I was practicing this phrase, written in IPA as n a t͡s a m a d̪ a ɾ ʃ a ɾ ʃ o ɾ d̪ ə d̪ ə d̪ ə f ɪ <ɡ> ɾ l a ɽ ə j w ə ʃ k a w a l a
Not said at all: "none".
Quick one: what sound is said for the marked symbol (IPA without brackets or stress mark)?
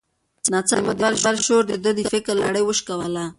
k